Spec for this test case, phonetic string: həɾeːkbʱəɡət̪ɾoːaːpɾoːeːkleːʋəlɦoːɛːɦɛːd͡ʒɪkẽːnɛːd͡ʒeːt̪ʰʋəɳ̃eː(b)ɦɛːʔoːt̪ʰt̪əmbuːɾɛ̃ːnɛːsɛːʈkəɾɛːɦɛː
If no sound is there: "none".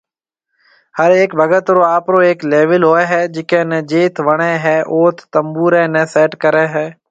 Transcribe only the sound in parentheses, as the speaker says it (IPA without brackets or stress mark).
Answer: none